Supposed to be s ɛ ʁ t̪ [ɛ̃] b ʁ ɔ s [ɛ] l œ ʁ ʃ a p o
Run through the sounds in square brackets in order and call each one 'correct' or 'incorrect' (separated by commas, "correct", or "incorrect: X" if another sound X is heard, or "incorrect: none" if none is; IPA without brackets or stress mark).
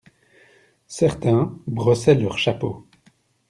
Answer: correct, correct